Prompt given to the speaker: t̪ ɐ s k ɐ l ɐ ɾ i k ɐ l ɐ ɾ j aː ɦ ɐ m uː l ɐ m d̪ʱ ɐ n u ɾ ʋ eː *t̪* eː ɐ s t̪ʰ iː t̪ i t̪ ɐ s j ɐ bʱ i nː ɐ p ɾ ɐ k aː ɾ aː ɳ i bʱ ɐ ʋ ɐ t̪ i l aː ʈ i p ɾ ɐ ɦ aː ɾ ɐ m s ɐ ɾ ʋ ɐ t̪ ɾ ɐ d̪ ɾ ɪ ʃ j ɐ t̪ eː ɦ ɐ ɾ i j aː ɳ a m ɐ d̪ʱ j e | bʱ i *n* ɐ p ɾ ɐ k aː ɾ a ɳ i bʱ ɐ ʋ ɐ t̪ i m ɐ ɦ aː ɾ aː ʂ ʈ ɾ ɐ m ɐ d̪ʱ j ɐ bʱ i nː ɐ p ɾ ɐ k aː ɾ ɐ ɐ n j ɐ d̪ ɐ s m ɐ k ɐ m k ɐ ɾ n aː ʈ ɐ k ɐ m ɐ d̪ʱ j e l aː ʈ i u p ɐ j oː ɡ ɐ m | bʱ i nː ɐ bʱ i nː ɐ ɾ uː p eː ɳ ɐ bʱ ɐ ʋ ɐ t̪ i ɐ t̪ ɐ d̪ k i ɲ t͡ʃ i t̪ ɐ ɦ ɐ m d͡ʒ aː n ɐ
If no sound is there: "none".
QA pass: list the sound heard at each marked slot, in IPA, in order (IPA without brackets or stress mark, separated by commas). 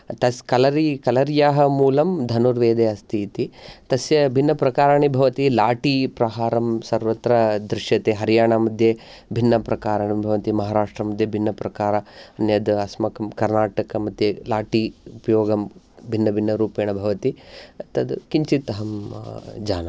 d̪, nː